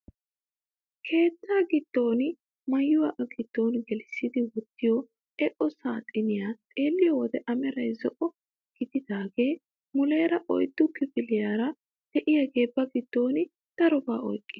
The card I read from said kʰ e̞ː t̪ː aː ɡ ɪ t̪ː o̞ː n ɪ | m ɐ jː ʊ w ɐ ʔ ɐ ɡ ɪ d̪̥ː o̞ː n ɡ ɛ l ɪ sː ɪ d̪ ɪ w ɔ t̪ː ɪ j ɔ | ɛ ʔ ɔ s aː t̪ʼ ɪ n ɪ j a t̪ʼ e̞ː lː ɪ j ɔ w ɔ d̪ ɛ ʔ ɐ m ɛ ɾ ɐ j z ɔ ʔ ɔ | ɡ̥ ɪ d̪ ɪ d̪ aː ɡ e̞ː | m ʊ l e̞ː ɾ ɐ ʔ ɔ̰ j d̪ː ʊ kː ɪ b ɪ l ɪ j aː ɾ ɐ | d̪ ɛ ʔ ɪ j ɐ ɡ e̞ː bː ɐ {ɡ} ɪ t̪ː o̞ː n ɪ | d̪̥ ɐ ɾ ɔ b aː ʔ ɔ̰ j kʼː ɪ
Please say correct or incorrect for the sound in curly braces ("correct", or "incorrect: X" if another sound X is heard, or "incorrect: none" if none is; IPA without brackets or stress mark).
correct